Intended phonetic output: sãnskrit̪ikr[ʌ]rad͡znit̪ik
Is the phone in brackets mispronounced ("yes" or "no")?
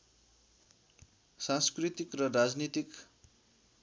no